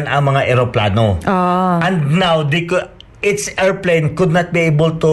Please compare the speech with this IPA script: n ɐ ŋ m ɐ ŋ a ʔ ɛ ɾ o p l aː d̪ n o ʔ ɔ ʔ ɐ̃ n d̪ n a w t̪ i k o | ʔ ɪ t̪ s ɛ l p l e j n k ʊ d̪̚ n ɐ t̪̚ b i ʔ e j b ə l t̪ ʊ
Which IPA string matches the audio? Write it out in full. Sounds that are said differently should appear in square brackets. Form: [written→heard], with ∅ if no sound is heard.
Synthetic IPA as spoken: n ɐ ŋ m ɐ ŋ a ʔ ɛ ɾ o p l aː [d̪→∅] n o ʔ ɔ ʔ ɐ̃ n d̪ n a w [t̪→d̪] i k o | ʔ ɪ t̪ s ɛ [l→ɹ] p l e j n k ʊ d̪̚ n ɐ t̪̚ b i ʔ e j b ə l t̪ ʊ